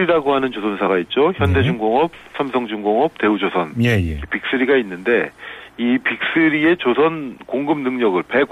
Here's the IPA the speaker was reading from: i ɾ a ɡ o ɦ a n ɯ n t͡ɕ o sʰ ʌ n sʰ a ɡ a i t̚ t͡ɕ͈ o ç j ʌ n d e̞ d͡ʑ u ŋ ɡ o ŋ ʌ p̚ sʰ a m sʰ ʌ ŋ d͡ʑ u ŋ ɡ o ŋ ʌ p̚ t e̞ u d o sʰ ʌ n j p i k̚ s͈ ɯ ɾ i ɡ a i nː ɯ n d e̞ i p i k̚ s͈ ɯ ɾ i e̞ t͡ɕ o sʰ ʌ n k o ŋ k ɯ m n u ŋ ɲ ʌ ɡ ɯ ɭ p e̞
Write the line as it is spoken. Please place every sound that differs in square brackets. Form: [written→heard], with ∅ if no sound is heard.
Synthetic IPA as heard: i ɾ a ɡ o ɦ a n ɯ n t͡ɕ o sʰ ʌ n sʰ a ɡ a i t̚ t͡ɕ͈ o ç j ʌ n d e̞ d͡ʑ u ŋ ɡ o ŋ ʌ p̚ sʰ a m sʰ ʌ ŋ d͡ʑ u ŋ ɡ o ŋ ʌ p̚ t e̞ u [d→d͡ʑ] o sʰ ʌ n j p i k̚ s͈ ɯ ɾ i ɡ a i nː ɯ n d e̞ i p i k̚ s͈ ɯ ɾ i e̞ t͡ɕ o sʰ ʌ n k o ŋ [k→ɡ] ɯ m n [u→ɯ] ŋ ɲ ʌ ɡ ɯ ɭ p e̞